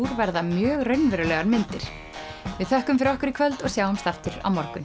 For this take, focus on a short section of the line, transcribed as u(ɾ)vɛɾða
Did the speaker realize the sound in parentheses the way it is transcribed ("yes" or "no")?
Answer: yes